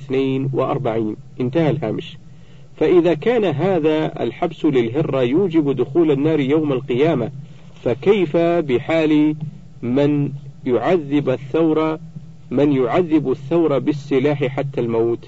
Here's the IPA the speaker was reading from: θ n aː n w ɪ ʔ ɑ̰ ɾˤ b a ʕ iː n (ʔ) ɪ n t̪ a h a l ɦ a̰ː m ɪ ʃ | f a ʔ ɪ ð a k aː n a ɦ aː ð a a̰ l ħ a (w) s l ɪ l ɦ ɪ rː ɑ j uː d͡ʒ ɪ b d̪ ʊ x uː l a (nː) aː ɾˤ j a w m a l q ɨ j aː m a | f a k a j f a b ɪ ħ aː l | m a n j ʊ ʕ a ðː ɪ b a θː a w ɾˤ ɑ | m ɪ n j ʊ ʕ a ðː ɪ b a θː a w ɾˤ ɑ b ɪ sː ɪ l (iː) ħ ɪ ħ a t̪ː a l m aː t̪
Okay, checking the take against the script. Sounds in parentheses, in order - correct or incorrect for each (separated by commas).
correct, incorrect, correct, incorrect